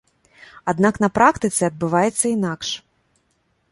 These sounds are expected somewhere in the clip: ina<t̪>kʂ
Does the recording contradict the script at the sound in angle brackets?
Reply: yes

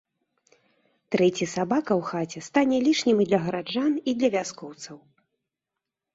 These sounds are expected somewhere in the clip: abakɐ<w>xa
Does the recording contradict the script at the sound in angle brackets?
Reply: no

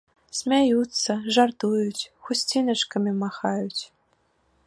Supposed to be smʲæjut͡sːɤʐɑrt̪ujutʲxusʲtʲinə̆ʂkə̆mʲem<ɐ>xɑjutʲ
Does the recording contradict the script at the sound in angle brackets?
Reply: yes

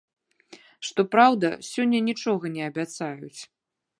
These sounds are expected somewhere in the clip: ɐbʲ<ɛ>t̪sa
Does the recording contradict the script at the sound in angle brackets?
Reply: yes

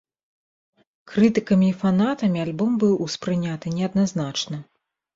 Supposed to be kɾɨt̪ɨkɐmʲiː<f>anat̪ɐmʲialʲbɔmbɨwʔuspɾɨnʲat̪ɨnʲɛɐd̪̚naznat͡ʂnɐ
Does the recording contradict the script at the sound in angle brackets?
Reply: no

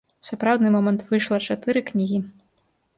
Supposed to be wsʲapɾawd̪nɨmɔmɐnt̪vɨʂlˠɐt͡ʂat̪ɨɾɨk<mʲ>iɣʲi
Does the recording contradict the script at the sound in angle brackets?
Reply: yes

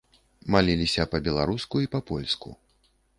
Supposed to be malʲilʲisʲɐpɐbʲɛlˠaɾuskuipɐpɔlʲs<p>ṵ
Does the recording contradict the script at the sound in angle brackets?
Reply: yes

